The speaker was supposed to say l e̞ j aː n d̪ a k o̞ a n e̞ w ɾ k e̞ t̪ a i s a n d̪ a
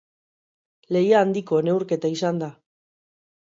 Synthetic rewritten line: l e̞ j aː n d̪ i k o̞ e n e̞ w ɾ k e̞ t̪ a i s a n d̪ a